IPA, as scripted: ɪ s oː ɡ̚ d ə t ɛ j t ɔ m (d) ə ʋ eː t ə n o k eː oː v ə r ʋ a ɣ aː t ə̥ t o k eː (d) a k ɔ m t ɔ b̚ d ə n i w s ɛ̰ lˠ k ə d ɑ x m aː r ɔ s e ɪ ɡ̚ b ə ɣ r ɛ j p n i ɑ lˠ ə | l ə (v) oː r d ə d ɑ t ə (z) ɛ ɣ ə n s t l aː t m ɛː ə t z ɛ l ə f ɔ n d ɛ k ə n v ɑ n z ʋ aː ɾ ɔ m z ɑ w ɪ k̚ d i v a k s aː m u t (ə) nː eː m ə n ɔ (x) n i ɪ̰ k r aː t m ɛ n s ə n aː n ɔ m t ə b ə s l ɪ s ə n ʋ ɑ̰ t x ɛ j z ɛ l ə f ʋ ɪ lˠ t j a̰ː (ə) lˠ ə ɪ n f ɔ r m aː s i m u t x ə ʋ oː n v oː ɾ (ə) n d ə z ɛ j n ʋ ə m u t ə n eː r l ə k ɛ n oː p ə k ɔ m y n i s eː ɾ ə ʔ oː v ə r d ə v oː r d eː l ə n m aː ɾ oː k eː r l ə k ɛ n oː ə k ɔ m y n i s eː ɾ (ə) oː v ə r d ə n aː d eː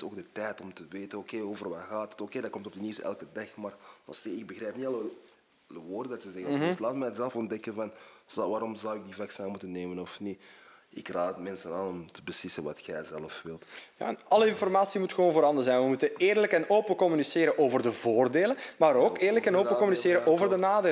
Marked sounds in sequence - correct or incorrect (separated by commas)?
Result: incorrect, correct, incorrect, correct, correct, incorrect, incorrect, incorrect, correct